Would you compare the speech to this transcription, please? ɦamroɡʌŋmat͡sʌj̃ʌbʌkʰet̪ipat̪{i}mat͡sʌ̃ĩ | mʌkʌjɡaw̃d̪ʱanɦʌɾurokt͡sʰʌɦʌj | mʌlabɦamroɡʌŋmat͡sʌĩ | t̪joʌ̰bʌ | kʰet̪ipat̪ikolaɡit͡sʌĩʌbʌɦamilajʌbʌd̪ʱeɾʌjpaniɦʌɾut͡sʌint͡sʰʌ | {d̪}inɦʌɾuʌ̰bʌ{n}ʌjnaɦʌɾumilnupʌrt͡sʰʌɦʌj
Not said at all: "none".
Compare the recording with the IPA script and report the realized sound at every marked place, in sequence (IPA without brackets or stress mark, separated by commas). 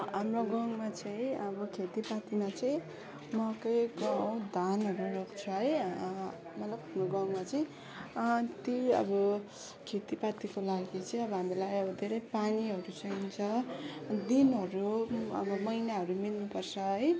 i, d̪, m